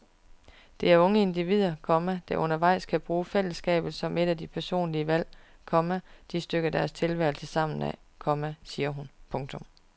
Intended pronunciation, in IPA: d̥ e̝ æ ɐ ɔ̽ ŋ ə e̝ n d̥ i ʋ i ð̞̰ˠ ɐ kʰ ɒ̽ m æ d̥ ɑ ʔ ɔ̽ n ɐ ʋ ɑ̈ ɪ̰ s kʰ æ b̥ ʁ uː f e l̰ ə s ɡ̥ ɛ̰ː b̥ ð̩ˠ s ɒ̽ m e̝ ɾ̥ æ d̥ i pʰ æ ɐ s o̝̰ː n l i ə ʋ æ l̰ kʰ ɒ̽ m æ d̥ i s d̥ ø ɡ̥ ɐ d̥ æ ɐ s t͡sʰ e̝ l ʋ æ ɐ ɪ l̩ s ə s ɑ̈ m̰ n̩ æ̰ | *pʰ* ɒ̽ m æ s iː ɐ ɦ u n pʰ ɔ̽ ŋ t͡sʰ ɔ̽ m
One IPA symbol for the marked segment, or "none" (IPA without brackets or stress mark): kʰ